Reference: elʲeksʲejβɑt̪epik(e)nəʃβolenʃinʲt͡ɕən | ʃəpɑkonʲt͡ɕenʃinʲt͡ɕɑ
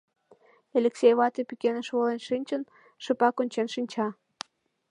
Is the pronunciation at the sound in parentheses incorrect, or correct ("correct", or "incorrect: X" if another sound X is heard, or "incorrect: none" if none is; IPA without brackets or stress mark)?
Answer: correct